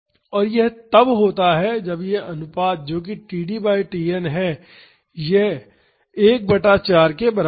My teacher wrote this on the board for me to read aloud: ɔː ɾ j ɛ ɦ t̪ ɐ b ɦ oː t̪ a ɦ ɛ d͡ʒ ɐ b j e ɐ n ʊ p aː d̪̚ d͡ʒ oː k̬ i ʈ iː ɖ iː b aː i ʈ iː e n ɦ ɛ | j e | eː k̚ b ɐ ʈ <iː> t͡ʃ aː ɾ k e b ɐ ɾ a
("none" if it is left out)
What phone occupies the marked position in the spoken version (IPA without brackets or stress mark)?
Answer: aː